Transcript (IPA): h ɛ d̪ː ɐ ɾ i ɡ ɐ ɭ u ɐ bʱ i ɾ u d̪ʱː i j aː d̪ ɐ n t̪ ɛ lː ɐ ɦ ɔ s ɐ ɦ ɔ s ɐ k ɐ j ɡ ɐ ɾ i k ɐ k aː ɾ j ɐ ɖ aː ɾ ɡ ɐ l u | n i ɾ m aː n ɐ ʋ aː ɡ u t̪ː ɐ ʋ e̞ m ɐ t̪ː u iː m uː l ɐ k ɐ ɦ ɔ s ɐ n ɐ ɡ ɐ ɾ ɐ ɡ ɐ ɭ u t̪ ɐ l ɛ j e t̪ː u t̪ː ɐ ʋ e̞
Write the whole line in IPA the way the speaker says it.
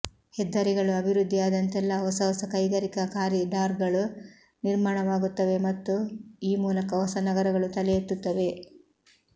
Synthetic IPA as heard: h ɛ d̪ː ɐ ɾ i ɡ ɐ ɭ u ɐ bʱ i ɾ u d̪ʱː i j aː d̪ ɐ n t̪ ɛ lː ɐ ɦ ɔ s ɐ ɦ ɔ s ɐ k ɐ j ɡ ɐ ɾ i k ɐ k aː ɾ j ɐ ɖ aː ɾ ɡ ɐ ɭ u | n i ɾ m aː ɳ ɐ ʋ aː ɡ u t̪ː ɐ ʋ e̞ m ɐ t̪ː u iː m uː l ɐ k ɐ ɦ ɔ s ɐ n ɐ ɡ ɐ ɾ ɐ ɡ ɐ ɭ u t̪ ɐ l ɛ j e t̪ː u t̪ː ɐ ʋ e̞

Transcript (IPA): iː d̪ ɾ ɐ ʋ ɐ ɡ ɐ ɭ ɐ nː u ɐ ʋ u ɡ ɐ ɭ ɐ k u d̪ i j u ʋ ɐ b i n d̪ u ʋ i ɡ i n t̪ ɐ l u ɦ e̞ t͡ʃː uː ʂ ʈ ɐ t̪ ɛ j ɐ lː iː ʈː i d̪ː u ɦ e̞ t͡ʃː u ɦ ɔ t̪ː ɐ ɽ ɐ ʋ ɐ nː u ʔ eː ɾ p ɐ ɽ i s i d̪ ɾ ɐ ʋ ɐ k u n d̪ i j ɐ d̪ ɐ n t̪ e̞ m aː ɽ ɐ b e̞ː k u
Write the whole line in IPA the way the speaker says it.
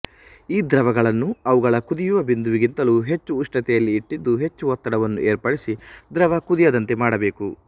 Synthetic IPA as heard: iː d̪ ɾ ɐ ʋ ɐ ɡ ɐ ɭ ɐ nː u ɐ ʋ u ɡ ɐ ɭ ɐ k u d̪ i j u ʋ ɐ b i n d̪ u ʋ i ɡ i n t̪ ɐ l u ɦ e̞ t͡ʃː uː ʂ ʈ ɐ t̪ ɛ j ɐ lː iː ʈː i d̪ː u ɦ e̞ t͡ʃː u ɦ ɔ t̪ː ɐ ɽ ɐ ʋ ɐ nː u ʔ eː ɾ p ɐ ɽ i s i d̪ ɾ ɐ ʋ ɐ k u d̪ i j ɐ d̪ ɐ n t̪ e̞ m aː ɽ ɐ b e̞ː k u

